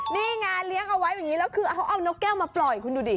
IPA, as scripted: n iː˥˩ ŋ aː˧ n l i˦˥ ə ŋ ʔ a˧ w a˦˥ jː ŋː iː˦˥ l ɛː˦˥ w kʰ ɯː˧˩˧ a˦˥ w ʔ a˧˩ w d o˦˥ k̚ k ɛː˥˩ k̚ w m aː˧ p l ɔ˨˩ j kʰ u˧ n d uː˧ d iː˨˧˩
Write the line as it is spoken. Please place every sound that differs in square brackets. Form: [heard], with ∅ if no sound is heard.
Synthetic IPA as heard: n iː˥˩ ŋ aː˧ n l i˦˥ ə ŋ ʔ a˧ w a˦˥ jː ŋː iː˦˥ l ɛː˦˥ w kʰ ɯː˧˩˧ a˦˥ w ʔ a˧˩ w [n] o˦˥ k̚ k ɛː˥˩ [∅] w m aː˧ p l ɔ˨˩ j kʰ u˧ n d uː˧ d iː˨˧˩